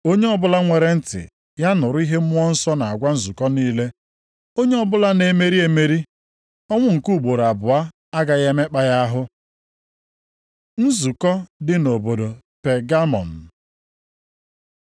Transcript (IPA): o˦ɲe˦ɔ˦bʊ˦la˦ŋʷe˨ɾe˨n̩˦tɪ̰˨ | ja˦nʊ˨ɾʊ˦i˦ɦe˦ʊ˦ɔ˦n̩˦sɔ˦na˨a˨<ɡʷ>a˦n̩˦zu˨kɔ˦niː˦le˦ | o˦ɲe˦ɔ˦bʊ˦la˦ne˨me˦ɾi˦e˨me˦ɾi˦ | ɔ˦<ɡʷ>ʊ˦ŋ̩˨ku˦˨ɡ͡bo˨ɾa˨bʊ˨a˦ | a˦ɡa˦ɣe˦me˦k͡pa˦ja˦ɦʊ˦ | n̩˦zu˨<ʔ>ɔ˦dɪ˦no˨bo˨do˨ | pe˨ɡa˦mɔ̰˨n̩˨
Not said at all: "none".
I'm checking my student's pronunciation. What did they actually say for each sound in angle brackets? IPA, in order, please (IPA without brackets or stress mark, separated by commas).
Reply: ɡʷ, ŋʷ, k